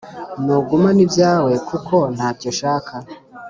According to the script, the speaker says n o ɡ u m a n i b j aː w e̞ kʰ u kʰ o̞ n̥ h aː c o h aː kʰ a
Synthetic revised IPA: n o ɡ u m a n i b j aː w e̞ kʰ u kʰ o̞ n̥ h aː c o ʃ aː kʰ a